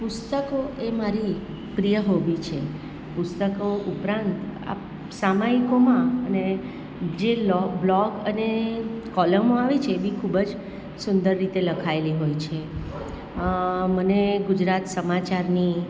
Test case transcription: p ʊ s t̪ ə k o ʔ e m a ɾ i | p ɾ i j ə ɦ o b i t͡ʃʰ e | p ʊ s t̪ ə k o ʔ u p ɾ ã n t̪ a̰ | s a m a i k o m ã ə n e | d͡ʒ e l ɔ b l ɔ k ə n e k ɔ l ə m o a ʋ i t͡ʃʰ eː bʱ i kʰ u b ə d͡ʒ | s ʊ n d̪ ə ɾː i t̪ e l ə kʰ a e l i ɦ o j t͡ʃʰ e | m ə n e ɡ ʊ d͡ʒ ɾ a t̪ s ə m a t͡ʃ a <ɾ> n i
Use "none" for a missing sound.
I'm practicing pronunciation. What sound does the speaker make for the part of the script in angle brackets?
ɾ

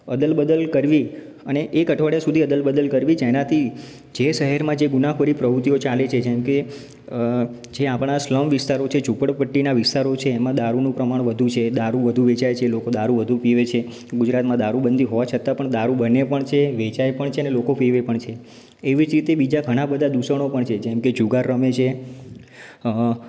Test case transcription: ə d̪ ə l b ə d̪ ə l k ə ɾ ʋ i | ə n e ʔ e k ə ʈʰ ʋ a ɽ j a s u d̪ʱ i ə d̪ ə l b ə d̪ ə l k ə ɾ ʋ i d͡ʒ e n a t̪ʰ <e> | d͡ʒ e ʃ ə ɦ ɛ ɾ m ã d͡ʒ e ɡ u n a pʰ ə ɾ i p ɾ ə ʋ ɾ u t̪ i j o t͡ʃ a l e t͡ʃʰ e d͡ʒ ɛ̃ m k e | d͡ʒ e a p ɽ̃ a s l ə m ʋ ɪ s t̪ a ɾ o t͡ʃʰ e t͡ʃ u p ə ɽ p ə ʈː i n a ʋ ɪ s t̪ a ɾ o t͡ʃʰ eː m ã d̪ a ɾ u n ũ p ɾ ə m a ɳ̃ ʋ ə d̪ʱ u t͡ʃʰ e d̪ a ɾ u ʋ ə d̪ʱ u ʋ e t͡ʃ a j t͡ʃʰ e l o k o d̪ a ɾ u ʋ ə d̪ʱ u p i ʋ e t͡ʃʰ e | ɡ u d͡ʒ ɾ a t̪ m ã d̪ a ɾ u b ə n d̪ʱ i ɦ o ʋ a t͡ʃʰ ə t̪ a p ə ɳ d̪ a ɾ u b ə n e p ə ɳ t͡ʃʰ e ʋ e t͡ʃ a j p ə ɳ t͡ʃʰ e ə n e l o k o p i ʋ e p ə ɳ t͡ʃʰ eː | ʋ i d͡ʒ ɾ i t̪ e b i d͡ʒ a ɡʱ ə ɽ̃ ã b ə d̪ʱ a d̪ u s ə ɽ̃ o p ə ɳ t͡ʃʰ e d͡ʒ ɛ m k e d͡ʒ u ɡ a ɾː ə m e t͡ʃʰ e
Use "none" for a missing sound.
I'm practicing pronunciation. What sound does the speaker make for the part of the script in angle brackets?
i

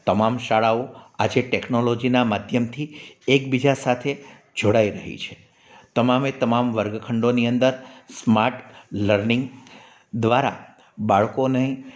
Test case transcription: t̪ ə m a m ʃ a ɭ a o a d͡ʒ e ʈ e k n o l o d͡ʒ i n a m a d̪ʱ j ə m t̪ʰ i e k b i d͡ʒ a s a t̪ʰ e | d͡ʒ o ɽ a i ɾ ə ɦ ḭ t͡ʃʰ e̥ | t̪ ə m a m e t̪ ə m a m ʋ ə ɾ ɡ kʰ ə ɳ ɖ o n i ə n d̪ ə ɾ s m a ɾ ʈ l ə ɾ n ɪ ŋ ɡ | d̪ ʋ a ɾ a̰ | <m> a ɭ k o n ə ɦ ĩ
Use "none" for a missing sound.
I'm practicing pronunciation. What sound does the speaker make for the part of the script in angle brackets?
b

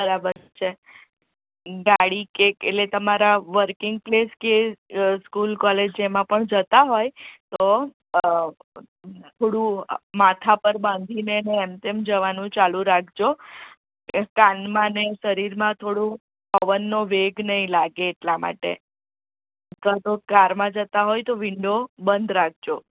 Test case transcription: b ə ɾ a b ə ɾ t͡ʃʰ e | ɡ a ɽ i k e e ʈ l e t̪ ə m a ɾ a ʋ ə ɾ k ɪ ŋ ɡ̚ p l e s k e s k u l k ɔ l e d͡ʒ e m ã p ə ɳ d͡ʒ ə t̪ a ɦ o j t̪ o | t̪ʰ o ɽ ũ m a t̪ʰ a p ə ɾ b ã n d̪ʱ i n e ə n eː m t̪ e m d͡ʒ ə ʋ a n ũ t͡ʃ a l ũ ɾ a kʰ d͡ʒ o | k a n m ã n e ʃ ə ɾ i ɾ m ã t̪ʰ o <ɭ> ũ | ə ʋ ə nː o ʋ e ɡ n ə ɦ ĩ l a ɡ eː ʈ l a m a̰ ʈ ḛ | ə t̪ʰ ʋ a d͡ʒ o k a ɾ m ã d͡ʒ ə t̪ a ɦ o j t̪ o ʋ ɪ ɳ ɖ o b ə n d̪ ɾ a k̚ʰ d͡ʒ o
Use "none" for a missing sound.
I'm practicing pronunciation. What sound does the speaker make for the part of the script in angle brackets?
ɽ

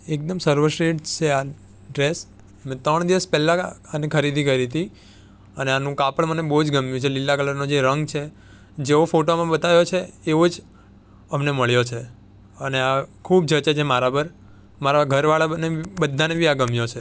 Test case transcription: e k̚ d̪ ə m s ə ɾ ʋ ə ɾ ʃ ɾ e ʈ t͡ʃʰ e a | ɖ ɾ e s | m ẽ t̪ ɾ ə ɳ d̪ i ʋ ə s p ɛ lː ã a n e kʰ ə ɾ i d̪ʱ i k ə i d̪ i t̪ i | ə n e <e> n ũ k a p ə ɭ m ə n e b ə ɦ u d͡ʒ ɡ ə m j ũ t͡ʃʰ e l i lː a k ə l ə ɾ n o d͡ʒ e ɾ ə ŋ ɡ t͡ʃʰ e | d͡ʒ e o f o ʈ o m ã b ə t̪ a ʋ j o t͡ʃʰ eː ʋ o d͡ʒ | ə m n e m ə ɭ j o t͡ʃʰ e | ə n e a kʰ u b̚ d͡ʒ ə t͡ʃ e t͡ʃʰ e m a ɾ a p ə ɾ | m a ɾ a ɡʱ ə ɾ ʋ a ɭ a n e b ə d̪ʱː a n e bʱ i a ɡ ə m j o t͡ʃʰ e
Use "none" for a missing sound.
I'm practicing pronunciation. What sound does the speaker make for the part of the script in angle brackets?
a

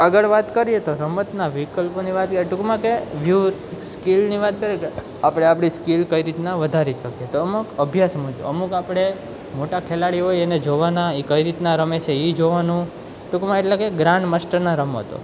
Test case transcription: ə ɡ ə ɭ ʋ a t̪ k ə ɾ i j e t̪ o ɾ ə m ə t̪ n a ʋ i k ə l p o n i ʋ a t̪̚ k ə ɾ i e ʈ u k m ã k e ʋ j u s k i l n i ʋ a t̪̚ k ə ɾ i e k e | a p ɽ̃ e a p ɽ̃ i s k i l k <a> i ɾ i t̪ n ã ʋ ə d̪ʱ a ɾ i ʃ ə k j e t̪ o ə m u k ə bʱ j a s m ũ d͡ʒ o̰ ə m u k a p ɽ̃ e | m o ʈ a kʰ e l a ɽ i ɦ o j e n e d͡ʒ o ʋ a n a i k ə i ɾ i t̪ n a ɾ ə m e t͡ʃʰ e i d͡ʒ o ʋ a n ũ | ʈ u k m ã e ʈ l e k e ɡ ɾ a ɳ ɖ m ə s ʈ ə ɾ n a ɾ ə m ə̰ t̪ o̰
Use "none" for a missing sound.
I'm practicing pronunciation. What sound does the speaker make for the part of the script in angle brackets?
ə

